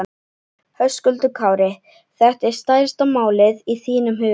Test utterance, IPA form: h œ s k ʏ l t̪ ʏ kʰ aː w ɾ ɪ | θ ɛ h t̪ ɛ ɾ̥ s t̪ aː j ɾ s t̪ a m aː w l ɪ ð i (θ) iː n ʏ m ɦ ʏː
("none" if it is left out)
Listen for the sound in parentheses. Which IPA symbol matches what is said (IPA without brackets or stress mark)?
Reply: θ